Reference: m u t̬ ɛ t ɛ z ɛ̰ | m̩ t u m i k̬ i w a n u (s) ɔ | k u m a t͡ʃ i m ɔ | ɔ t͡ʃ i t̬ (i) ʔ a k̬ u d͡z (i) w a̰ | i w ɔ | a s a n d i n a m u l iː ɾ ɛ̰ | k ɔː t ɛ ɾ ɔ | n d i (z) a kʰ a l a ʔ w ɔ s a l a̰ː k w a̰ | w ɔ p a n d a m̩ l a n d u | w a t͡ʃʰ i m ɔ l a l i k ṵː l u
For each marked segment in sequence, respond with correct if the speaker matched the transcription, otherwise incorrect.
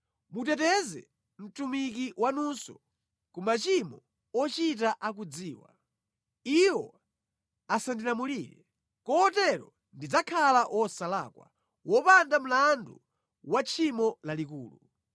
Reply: correct, incorrect: a, incorrect: iː, incorrect: d͡z

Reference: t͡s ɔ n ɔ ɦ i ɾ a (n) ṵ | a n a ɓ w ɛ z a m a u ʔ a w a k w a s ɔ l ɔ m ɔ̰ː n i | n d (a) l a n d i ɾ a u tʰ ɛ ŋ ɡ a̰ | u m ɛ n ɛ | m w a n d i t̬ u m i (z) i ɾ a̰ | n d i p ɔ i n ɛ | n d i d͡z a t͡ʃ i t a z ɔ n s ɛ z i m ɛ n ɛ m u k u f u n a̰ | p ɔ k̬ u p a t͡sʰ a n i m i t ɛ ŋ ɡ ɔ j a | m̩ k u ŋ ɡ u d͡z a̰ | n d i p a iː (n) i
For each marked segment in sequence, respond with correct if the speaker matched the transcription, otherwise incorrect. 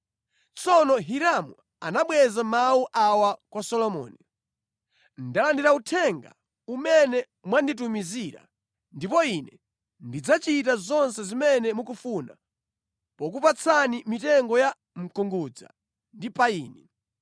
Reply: incorrect: m, correct, correct, correct

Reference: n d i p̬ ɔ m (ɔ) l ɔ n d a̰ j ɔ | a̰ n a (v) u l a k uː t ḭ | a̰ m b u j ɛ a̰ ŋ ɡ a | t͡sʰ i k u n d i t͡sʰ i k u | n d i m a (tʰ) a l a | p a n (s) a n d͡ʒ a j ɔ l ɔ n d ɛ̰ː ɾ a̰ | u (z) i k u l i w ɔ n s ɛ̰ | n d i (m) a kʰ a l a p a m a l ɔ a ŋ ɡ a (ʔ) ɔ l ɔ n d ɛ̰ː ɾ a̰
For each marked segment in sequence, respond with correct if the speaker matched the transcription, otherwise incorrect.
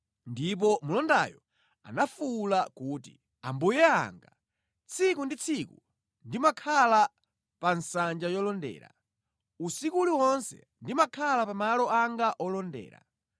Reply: incorrect: u, incorrect: f, incorrect: kʰ, correct, incorrect: s, correct, correct

